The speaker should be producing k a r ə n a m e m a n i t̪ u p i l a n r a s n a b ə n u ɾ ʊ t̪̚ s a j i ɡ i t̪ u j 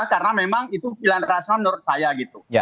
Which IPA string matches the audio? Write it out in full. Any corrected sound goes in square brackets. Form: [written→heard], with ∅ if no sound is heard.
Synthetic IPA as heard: k a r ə n a m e m a [n→ŋ] i t̪ u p i l a n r a s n a [b→m] ə n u ɾ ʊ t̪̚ s a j [i→a] ɡ i t̪ u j